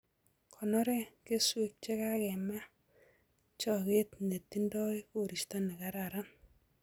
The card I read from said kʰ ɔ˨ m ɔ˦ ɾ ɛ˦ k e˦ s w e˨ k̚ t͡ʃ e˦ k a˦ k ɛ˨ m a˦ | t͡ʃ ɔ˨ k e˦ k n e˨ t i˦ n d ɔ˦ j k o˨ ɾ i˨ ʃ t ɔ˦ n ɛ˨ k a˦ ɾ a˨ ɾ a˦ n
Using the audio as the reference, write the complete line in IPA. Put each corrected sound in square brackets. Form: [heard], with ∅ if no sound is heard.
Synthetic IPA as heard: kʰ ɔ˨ [n] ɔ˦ ɾ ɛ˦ k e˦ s w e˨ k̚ t͡ʃ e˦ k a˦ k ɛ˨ m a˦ | t͡ʃ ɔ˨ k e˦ [t] n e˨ t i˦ n d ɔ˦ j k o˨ ɾ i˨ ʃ t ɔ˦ n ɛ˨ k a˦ ɾ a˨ ɾ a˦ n

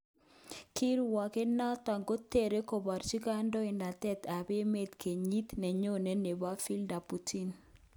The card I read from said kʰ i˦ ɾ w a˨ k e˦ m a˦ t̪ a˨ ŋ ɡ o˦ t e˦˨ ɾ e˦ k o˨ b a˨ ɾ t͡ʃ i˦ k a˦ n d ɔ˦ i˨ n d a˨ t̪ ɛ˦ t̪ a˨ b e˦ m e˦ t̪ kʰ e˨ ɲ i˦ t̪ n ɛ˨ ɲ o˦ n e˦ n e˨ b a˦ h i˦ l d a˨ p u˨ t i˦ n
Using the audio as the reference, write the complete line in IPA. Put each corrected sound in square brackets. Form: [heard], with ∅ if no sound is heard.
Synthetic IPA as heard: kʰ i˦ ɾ w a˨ k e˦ [n] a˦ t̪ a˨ ŋ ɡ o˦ t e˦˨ ɾ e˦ k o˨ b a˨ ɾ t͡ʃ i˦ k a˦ n d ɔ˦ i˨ n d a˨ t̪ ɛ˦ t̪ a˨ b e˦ m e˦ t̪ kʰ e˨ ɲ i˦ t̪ n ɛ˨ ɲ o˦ n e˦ n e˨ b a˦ [f] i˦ l d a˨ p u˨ t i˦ n

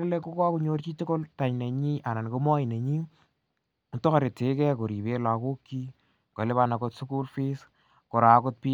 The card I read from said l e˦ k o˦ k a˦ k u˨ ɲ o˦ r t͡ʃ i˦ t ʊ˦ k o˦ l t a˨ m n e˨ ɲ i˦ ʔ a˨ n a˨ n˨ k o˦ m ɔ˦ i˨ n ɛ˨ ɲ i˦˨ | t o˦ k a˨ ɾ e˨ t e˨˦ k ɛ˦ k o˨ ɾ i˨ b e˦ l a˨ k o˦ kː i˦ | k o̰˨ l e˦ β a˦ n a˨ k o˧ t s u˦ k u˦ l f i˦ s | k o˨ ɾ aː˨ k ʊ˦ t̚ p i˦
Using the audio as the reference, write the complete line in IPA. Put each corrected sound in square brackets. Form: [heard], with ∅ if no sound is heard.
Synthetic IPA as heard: l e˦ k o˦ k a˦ k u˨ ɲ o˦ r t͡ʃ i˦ t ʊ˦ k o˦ l t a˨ [ɲ] n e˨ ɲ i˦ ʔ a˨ n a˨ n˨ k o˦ m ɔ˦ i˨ n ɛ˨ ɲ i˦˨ | t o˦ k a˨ ɾ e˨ t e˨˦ k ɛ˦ k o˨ ɾ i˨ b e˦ l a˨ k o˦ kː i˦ | k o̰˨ l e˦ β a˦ n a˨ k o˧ t s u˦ k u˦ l f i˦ s | k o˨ ɾ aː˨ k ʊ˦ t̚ p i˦

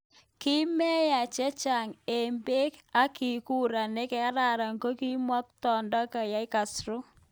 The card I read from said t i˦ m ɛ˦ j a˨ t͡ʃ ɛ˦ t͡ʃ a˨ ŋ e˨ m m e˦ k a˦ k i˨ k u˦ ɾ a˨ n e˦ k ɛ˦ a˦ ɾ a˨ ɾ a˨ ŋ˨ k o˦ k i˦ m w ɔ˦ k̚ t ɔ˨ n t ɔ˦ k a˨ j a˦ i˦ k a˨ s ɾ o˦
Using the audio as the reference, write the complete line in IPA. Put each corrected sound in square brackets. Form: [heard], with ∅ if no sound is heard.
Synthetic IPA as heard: [k] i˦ m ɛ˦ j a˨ t͡ʃ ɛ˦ t͡ʃ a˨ ŋ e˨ m [b] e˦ k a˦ k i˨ k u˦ ɾ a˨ n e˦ k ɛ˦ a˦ ɾ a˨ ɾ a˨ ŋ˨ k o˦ k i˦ m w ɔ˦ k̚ t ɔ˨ n [d] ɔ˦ k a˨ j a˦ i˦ k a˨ s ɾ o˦

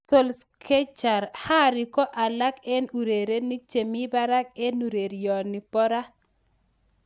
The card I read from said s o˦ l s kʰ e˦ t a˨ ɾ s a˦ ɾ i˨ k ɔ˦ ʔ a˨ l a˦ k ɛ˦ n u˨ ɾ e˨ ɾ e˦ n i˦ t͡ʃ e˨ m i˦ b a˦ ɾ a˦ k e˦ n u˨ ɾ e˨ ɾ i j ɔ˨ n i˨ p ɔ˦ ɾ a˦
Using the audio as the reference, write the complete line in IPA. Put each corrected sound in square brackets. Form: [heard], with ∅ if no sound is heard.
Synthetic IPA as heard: s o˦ l s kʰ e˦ [t͡ʃ] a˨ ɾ [h] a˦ ɾ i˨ k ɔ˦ ʔ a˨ l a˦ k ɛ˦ n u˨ ɾ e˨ ɾ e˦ n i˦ t͡ʃ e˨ m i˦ b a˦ ɾ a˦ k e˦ n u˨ ɾ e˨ ɾ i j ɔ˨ n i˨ p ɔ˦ ɾ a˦

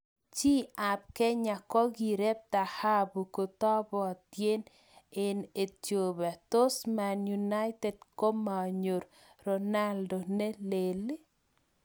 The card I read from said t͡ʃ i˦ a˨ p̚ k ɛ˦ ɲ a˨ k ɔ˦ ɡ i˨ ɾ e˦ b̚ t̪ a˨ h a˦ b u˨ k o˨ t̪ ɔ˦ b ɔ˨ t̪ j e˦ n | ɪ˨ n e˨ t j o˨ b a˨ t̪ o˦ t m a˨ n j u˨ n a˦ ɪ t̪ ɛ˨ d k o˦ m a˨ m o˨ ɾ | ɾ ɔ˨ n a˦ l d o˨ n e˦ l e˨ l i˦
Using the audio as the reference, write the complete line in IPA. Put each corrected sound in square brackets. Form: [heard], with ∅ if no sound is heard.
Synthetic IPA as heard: t͡ʃ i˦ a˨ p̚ k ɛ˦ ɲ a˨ k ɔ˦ ɡ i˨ ɾ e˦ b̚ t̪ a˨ h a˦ b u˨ k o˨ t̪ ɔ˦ b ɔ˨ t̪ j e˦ n | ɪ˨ n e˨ t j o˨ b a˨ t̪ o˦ [s] m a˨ n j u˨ n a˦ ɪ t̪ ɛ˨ d k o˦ m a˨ [ɲ] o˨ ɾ | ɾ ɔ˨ n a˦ l d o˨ n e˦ l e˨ l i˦

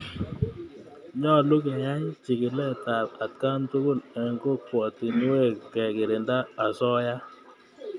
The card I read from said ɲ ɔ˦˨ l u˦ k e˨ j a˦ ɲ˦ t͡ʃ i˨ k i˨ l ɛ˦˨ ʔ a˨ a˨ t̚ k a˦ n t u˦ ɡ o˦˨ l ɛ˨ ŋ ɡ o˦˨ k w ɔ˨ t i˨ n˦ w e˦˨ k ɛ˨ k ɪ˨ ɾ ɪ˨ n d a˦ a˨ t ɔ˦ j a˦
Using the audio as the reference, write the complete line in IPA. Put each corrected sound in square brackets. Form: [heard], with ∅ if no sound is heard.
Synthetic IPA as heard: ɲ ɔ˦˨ l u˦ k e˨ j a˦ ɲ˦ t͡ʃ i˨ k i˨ l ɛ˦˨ [t] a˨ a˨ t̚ k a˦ n t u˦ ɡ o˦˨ l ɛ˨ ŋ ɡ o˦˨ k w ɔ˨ t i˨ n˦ w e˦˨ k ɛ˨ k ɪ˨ ɾ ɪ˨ n d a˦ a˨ [s] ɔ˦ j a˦

